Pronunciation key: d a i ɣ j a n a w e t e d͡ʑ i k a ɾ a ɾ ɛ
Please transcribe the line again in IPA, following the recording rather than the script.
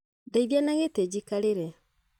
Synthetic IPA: d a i ð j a n a ɣ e t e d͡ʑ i k a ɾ e ɾ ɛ